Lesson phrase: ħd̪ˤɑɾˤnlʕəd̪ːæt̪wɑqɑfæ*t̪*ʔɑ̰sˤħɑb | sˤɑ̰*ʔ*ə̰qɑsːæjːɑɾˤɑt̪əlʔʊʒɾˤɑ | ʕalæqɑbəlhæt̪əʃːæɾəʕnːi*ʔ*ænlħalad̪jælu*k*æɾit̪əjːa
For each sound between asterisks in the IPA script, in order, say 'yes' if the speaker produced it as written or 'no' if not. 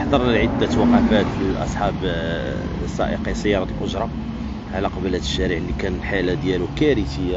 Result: yes, yes, no, yes

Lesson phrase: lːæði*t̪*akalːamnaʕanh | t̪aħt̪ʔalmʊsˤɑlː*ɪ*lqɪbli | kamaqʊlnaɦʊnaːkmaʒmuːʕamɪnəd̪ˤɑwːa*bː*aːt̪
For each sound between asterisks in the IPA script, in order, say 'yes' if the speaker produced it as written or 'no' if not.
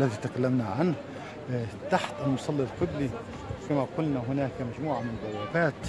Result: yes, no, no

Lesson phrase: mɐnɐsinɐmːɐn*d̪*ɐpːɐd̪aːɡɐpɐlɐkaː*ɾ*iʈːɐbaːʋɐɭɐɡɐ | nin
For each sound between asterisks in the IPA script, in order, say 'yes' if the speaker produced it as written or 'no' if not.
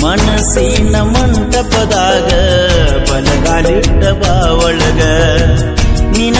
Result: no, no

